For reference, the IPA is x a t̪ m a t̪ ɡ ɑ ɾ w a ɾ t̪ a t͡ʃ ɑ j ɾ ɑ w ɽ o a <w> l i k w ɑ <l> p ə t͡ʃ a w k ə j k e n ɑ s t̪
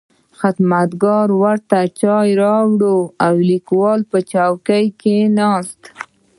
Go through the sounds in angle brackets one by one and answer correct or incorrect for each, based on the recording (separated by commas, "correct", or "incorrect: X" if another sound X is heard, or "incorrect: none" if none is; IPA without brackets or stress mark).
correct, correct